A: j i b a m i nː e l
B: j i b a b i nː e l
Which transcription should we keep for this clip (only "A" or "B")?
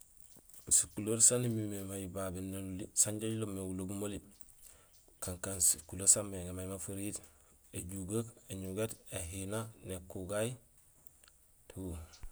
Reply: B